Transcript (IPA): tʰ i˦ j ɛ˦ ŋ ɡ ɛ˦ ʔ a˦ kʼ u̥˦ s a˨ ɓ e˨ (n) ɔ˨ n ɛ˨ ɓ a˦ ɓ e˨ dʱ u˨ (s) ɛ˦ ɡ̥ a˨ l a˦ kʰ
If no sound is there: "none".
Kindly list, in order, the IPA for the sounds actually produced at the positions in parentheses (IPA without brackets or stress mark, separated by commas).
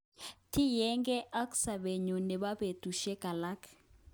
ɲ, ʃ